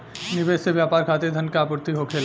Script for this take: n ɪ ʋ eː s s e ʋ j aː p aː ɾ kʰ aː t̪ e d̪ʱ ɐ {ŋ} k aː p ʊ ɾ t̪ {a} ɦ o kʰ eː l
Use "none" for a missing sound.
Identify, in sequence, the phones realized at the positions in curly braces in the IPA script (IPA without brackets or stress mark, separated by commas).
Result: n, i